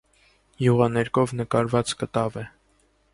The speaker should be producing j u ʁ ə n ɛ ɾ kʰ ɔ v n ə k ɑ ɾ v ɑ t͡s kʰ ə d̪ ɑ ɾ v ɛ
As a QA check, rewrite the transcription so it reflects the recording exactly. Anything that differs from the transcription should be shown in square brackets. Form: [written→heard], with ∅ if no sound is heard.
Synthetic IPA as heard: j u ʁ [ə→ɑ] n ɛ ɾ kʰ ɔ v n ə k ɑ ɾ v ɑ t͡s [kʰ→k] ə [d̪→t̪] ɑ [ɾ→∅] v ɛ